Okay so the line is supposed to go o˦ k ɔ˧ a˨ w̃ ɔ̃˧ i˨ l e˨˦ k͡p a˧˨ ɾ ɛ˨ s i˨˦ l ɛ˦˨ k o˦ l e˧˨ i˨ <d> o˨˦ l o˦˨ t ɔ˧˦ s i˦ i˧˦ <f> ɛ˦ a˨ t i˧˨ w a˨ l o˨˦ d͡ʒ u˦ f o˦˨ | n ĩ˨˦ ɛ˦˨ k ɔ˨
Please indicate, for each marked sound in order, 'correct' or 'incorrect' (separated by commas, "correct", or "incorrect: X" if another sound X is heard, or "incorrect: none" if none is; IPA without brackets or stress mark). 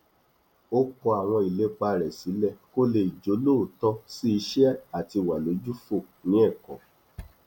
incorrect: d͡ʒ, incorrect: ʃ